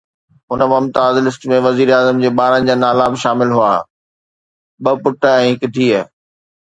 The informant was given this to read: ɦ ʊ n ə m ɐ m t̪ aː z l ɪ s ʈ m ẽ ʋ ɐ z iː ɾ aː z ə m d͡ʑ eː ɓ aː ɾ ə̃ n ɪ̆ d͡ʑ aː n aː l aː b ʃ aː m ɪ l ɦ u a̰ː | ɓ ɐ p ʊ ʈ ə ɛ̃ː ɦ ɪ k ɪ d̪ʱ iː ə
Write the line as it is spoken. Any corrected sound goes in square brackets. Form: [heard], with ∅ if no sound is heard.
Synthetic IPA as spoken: ɦ ʊ n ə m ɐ m t̪ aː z l ɪ s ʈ m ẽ ʋ ɐ z iː ɾ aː z ə m d͡ʑ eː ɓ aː ɾ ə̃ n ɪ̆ d͡ʑ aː n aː l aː b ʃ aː m ɪ l ɦ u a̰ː | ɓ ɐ p ʊ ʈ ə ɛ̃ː ɦ ɪ k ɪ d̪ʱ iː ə